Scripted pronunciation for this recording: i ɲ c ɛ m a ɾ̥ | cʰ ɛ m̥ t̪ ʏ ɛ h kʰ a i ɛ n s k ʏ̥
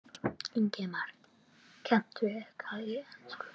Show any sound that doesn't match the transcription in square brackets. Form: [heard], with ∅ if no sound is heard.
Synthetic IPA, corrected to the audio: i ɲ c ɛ m a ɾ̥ | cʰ ɛ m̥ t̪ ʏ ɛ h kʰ a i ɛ n s k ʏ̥